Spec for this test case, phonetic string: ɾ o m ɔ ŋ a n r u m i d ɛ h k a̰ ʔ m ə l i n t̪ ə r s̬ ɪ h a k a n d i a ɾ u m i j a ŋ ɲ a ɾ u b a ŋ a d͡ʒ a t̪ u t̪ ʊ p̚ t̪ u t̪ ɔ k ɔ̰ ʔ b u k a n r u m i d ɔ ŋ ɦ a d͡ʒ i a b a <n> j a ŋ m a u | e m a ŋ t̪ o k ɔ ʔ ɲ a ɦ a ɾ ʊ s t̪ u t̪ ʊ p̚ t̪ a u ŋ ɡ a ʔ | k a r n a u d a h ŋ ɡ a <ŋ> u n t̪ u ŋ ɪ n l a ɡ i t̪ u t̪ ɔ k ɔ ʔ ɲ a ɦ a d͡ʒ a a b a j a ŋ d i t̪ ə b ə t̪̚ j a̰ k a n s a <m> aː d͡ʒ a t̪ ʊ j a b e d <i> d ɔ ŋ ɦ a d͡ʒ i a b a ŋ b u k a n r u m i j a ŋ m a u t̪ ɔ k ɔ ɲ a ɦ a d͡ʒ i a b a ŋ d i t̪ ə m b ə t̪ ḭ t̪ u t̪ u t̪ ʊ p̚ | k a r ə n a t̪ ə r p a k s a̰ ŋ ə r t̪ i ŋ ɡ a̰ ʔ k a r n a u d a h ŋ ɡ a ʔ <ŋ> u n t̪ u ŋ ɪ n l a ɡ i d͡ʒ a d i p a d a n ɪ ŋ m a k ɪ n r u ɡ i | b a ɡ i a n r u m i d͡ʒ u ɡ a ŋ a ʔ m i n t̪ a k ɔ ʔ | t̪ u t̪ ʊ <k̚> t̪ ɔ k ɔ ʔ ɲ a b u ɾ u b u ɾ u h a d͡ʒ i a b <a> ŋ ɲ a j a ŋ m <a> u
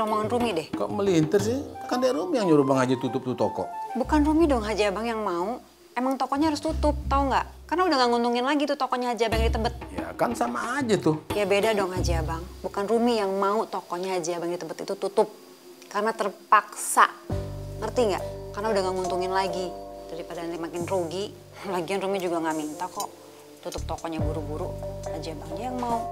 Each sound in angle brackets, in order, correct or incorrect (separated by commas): incorrect, correct, correct, incorrect, correct, incorrect, correct, correct